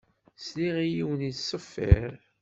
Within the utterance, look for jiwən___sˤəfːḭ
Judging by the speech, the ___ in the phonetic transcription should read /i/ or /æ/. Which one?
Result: i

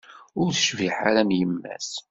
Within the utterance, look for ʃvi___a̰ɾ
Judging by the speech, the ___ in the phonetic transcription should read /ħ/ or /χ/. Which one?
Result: ħ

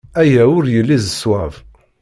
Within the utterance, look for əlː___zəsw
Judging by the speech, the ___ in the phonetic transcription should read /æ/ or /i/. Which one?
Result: i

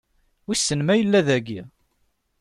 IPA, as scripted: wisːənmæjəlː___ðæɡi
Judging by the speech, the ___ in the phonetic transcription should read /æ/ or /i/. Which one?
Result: æ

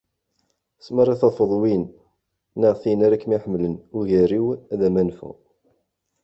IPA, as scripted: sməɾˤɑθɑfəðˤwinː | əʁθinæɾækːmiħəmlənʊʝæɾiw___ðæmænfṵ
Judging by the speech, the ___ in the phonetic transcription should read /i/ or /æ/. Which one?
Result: æ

